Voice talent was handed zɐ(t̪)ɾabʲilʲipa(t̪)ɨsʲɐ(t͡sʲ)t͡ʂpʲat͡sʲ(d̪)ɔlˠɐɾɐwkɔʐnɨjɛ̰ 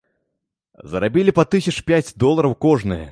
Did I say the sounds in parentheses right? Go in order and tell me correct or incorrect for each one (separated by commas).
incorrect, correct, incorrect, correct